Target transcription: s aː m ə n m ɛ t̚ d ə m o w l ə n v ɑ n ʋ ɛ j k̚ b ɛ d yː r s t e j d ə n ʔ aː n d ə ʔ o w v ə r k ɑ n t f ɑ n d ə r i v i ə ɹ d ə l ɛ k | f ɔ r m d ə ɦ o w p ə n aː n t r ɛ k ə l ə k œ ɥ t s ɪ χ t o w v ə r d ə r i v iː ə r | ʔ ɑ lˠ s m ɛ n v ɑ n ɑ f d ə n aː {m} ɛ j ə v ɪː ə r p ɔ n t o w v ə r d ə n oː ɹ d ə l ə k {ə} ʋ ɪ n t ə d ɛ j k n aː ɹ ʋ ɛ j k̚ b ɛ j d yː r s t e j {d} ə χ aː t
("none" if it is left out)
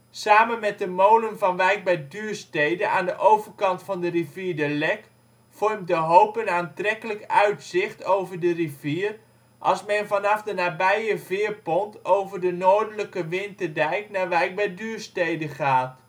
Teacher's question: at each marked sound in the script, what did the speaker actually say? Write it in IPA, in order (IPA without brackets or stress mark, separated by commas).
b, ə, d